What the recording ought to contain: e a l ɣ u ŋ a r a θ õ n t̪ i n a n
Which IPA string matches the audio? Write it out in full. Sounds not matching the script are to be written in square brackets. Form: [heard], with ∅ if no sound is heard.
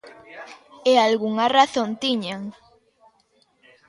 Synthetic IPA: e a l ɣ u ŋ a r a θ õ n t̪ i [ɲ] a [ŋ]